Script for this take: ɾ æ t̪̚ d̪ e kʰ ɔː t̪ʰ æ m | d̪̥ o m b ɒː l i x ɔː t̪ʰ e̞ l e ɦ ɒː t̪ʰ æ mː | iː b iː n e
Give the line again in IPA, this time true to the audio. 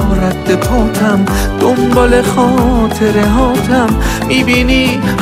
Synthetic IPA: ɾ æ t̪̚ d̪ e pʰ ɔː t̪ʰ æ m | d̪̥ o m b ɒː l e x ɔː t̪ʰ e̞ ɾ e ɦ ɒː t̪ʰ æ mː | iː b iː n i